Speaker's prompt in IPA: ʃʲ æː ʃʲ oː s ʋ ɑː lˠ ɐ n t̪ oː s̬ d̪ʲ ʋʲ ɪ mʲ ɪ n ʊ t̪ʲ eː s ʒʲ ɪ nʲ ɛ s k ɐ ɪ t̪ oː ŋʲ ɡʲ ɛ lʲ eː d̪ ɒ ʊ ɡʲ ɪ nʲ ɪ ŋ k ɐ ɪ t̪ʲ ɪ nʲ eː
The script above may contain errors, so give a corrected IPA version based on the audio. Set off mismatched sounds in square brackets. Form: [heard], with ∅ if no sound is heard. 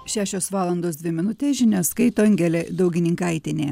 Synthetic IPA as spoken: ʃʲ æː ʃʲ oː s ʋ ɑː lˠ ɐ n [d̪] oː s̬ d̪ʲ ʋʲ ɪ mʲ ɪ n ʊ t̪ʲ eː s ʒʲ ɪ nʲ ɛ s k ɐ ɪ t̪ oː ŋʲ ɡʲ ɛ lʲ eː d̪ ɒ ʊ ɡʲ ɪ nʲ ɪ ŋ k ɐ ɪ t̪ʲ ɪ nʲ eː